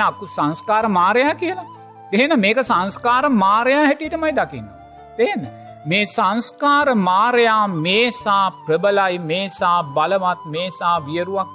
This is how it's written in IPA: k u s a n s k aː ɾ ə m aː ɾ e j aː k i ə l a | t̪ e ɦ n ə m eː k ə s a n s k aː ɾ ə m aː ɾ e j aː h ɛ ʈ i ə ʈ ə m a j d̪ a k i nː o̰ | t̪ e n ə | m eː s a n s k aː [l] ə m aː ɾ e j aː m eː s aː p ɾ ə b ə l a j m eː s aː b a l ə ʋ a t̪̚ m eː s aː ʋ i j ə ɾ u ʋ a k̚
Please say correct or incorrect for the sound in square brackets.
incorrect: ɾ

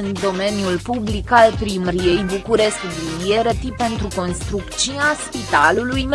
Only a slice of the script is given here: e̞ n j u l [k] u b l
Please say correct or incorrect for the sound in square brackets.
incorrect: p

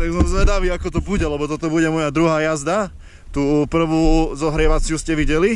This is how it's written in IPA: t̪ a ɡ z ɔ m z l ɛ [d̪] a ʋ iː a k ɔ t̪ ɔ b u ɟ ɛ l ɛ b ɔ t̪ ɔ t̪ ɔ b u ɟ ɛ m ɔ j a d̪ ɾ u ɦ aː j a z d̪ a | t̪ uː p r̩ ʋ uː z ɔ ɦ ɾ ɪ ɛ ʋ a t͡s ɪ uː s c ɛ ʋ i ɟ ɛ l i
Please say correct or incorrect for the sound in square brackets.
correct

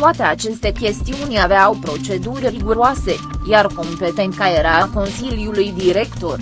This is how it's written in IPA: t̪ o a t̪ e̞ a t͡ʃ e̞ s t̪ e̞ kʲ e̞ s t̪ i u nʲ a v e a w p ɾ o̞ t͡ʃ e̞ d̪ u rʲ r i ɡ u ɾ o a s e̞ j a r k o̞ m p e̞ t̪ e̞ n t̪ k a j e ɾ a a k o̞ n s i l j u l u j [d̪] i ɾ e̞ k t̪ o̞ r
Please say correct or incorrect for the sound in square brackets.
correct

